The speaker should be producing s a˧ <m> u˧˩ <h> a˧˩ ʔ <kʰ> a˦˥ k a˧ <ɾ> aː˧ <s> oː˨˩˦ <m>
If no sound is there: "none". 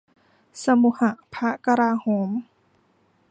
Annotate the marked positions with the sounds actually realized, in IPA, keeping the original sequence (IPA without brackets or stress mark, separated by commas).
m, h, pʰ, ɾ, h, m